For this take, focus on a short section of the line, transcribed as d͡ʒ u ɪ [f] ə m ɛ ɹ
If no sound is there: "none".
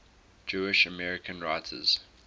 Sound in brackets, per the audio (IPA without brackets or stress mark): ʃ